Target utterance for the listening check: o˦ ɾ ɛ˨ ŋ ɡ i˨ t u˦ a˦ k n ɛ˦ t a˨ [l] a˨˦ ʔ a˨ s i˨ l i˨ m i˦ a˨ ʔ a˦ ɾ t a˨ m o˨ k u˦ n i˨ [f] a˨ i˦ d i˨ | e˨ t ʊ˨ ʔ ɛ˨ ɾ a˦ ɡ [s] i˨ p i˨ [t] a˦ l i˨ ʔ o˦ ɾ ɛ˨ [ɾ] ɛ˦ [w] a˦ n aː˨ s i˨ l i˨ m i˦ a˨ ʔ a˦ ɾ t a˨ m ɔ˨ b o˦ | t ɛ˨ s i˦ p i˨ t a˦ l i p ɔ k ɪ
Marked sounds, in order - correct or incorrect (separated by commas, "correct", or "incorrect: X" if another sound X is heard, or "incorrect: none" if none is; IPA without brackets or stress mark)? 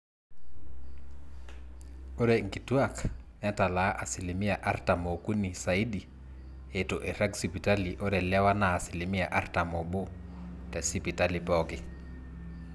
correct, incorrect: s, correct, correct, incorrect: l, correct